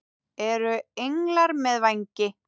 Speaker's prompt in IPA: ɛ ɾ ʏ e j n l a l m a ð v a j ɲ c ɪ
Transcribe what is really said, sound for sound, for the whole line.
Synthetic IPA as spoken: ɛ ɾ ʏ e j ŋ l a ɾ m ɛ ð v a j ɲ c ɪ

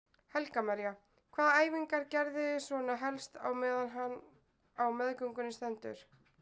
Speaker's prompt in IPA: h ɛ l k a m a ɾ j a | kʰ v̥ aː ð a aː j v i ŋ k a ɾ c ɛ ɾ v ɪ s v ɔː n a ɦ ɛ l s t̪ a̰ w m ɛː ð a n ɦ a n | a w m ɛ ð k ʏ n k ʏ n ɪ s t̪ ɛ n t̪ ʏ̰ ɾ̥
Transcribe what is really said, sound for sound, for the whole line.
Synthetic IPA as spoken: h ɛ l k a m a ɾ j a | kʰ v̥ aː ð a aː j v i ŋ k a ɾ c ɛ ɾ ð ɪ s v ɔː n a ɦ ɛ l s t̪ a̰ w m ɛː ð a n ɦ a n | a w m ɛ ð k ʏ ŋ k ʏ n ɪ s t̪ ɛ n t̪ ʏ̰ ɾ̥

